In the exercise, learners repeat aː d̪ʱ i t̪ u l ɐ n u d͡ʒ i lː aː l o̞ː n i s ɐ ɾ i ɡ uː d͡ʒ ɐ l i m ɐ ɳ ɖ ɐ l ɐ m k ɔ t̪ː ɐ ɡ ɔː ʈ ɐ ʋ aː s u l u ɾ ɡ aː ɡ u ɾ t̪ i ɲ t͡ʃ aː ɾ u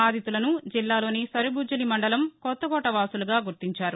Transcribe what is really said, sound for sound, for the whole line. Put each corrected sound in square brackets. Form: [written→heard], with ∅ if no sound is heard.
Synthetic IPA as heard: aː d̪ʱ i t̪ u l ɐ n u d͡ʒ i lː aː l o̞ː n i s ɐ ɾ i [ɡ→b] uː d͡ʒ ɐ l i m ɐ ɳ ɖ ɐ l ɐ m k ɔ t̪ː ɐ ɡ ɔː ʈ ɐ ʋ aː s u l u [ɾ→∅] ɡ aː ɡ u ɾ t̪ i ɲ t͡ʃ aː ɾ u

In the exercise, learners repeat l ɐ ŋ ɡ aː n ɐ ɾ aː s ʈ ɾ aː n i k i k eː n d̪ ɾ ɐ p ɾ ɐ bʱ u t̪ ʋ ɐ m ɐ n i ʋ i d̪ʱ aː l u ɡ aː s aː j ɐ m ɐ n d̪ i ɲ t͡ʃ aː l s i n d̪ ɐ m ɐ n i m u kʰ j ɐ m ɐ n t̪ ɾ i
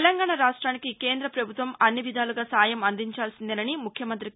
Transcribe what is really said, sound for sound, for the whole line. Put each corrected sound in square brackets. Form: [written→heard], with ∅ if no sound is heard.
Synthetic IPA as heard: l ɐ ŋ ɡ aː [n→ɳ] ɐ ɾ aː [s→ʂ] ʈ ɾ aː n i k i k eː n d̪ ɾ ɐ p ɾ ɐ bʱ u t̪ ʋ ɐ m ɐ [n→nː] i ʋ i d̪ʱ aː l u ɡ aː s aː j ɐ m ɐ n d̪ i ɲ t͡ʃ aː l s i n d̪ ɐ [m→n] ɐ n i m u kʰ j ɐ m ɐ n t̪ ɾ i

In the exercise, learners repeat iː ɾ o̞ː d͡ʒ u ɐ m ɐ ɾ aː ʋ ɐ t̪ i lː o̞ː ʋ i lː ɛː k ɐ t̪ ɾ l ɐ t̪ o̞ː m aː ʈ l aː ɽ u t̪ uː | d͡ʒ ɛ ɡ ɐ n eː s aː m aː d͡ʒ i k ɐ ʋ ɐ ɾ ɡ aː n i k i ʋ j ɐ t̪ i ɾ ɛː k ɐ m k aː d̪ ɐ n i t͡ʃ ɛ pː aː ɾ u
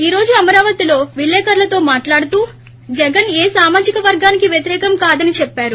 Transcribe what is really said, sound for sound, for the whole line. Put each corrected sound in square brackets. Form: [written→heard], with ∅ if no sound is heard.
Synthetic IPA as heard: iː ɾ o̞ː d͡ʒ u ɐ m ɐ ɾ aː ʋ ɐ t̪ i [lː→l] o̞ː ʋ i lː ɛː k ɐ [t̪→∅] ɾ l ɐ t̪ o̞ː m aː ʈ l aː ɽ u t̪ uː | d͡ʒ ɛ ɡ ɐ n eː s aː m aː d͡ʒ i k ɐ ʋ ɐ ɾ ɡ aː n i k i ʋ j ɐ t̪ i ɾ ɛː k ɐ m k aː d̪ ɐ n i t͡ʃ ɛ pː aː ɾ u

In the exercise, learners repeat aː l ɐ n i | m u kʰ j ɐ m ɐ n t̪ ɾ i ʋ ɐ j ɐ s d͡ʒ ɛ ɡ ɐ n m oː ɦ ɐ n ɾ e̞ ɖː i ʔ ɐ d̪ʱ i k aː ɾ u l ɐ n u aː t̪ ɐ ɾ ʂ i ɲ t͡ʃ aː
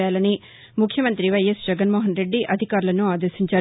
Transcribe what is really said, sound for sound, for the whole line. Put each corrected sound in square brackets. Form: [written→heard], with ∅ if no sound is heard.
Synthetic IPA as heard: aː l ɐ n i | m u kʰ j ɐ m ɐ n t̪ ɾ i ʋ ɐ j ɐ s d͡ʒ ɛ ɡ ɐ n m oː ɦ ɐ n ɾ e̞ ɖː i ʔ ɐ d̪ʱ i k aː ɾ u l ɐ n u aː [t̪→d̪] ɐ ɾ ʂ i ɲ t͡ʃ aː

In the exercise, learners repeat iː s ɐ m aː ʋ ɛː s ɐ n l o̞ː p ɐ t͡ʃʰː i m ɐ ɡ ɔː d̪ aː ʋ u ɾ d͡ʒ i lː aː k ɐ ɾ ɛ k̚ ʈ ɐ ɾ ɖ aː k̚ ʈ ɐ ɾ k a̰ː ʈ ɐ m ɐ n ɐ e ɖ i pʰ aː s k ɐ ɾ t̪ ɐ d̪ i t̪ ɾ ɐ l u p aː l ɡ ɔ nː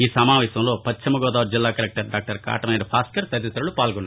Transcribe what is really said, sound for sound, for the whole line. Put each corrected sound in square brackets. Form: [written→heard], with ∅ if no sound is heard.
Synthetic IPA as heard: iː s ɐ m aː ʋ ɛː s ɐ [n→m] l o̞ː p ɐ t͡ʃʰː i m ɐ ɡ ɔː d̪ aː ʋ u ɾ d͡ʒ i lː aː k ɐ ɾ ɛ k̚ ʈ ɐ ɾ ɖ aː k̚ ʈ ɐ ɾ k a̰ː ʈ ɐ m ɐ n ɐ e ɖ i pʰ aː s k ɐ ɾ t̪ ɐ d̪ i t̪ ɾ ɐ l u p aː l ɡ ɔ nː

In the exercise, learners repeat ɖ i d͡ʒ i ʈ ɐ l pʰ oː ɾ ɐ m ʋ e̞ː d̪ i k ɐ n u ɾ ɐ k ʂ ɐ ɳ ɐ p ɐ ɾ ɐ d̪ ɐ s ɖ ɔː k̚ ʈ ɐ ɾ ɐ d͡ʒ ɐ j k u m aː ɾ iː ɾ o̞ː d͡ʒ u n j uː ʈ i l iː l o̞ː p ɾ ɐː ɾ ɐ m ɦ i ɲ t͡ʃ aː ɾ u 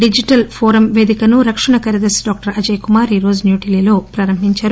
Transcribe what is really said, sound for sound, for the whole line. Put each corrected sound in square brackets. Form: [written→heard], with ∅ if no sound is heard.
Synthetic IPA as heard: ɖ i d͡ʒ i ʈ ɐ l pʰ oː ɾ ɐ m ʋ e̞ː d̪ i k ɐ n u ɾ ɐ k ʂ ɐ ɳ ɐ [p→k] ɐ ɾ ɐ d̪ ɐ s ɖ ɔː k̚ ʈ ɐ ɾ ɐ d͡ʒ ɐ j k u m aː ɾ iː ɾ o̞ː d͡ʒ u n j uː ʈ i l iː l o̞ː p ɾ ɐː ɾ ɐ m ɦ i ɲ t͡ʃ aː ɾ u

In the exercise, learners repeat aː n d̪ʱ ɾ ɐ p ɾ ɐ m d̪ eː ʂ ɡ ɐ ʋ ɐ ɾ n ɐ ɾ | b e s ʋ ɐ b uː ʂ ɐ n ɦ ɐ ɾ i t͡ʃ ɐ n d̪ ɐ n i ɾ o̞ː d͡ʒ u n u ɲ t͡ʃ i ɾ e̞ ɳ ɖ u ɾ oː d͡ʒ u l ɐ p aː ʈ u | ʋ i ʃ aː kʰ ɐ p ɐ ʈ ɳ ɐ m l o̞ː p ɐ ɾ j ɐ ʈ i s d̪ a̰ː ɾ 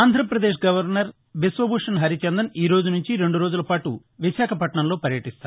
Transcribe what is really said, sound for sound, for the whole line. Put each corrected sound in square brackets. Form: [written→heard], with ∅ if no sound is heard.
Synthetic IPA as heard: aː n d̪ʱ ɾ ɐ p ɾ ɐ [m→∅] d̪ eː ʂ ɡ ɐ ʋ ɐ ɾ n ɐ ɾ | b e s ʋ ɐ b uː ʂ ɐ n ɦ ɐ ɾ i t͡ʃ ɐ n d̪ ɐ n [i→iː] ɾ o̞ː d͡ʒ u n u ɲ t͡ʃ i ɾ e̞ ɳ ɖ u ɾ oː d͡ʒ u l ɐ p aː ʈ u | ʋ i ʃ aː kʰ ɐ p ɐ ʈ ɳ ɐ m l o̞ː p ɐ ɾ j ɐ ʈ i s [d̪→t̪] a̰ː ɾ

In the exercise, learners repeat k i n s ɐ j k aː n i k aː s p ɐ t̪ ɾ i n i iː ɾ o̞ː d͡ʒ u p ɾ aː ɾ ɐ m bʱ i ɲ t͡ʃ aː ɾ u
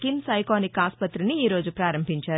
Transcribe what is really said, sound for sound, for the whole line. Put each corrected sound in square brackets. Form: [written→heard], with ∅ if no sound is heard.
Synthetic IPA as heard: k i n s ɐ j k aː n i k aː s p ɐ t̪ ɾ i n i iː ɾ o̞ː d͡ʒ u p ɾ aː ɾ ɐ m bʱ i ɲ t͡ʃ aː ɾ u

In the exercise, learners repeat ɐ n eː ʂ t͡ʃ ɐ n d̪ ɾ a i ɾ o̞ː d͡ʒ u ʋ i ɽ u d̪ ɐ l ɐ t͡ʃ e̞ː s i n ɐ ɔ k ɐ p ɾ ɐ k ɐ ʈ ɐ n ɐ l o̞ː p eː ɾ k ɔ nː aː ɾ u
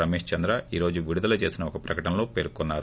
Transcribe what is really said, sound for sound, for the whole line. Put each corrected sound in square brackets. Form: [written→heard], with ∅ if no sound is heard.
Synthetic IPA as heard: ɐ [n→m] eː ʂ t͡ʃ ɐ n d̪ ɾ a [i→iː] ɾ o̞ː d͡ʒ u ʋ i ɽ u d̪ ɐ l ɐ t͡ʃ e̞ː s i n ɐ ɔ k ɐ p ɾ ɐ k ɐ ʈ ɐ n ɐ l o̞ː p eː ɾ k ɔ nː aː ɾ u

